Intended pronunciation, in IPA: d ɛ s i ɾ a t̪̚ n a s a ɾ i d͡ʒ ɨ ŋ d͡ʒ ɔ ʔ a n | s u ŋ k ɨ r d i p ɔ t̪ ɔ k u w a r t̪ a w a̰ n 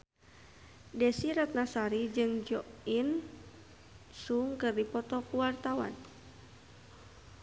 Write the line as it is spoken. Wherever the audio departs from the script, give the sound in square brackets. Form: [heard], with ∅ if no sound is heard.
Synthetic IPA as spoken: d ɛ s i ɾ a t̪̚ n a s a ɾ i d͡ʒ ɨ ŋ d͡ʒ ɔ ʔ [i] n | s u ŋ k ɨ r d i p ɔ t̪ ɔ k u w a r t̪ a w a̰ n